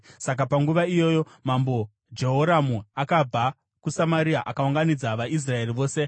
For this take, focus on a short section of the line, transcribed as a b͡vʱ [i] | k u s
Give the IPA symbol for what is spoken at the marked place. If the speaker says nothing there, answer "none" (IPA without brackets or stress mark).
a